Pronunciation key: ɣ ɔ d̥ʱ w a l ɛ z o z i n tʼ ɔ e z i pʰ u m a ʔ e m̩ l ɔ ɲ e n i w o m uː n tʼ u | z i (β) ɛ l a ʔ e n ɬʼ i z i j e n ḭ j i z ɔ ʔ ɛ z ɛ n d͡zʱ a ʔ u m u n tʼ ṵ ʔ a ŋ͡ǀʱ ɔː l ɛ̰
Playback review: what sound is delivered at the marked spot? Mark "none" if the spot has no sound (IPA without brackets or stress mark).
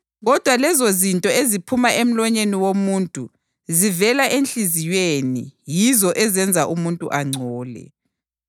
v